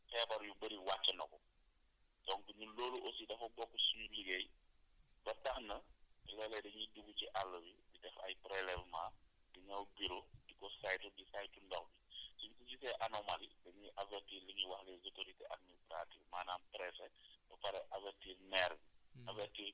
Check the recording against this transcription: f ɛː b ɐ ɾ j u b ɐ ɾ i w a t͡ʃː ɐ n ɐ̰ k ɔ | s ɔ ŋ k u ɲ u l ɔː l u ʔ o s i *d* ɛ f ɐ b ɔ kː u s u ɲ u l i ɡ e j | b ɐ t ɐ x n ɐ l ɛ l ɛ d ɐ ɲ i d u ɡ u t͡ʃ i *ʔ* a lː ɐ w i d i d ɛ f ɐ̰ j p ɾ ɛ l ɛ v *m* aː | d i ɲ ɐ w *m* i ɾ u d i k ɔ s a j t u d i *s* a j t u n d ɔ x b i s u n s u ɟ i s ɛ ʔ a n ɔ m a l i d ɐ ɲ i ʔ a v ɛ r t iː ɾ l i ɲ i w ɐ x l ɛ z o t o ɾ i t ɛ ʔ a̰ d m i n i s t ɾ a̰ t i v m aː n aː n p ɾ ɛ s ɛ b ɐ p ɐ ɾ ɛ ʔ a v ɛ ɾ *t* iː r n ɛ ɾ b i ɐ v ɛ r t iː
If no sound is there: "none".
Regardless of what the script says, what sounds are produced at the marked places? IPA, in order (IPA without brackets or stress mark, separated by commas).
d, ʔ, m, b, s, t